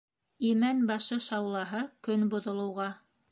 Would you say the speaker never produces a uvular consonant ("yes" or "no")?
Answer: no